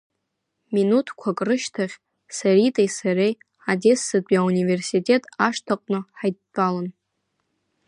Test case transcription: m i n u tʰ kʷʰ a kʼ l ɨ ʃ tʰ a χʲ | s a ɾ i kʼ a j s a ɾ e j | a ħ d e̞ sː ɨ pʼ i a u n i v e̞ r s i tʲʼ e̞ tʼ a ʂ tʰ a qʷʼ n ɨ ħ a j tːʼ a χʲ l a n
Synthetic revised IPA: m i n u tʰ kʷʰ a kʼ r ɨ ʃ tʰ a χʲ | s a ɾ i tʼ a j s a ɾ e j | a d e̞ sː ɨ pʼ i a u n i v e̞ r s i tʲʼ e̞ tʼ a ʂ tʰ a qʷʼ n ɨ ħ a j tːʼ a l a n